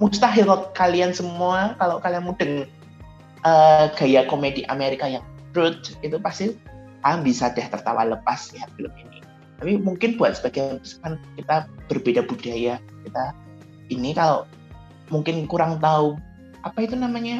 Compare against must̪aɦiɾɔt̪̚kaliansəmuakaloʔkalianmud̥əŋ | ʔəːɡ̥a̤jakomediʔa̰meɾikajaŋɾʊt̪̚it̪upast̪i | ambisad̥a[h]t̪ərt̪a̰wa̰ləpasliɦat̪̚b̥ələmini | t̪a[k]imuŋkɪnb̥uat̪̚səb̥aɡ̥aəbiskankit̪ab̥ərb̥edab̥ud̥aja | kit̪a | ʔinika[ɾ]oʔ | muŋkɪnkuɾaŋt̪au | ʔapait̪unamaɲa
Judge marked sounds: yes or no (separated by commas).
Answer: yes, no, no